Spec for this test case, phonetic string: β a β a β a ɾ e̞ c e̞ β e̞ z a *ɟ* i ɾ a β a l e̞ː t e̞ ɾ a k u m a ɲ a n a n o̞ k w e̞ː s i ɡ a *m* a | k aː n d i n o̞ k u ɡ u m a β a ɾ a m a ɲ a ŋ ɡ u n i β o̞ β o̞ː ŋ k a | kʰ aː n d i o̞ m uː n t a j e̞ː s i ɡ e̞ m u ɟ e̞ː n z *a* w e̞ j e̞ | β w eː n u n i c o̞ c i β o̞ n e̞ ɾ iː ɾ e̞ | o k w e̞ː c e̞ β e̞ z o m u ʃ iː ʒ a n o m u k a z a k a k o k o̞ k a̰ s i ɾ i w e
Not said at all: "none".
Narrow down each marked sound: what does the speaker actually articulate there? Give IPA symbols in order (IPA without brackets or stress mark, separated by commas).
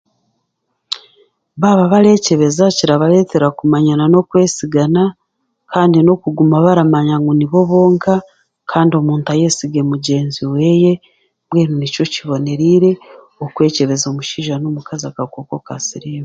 c, n, i